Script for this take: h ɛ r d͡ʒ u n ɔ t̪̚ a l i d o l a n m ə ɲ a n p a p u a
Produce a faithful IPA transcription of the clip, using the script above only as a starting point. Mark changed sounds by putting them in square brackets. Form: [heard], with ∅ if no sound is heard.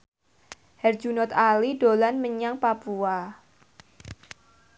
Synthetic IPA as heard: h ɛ r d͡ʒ u n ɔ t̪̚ a l i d o l a n m ə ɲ a [ŋ] p a p u a